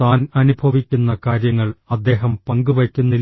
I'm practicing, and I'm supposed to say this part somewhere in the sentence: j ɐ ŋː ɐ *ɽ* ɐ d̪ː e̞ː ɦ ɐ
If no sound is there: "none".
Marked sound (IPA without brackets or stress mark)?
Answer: ɭ